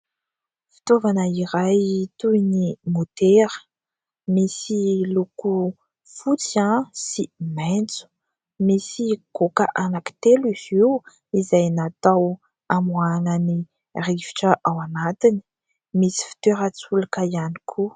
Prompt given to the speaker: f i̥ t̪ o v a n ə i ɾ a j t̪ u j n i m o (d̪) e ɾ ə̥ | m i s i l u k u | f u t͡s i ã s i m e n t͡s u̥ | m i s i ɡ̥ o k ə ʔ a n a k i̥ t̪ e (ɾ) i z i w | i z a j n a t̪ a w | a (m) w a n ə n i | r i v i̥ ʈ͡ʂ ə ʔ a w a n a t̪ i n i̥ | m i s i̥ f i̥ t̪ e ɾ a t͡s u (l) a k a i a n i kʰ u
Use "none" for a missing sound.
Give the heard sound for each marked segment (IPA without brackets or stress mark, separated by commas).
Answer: t̪, l, m, l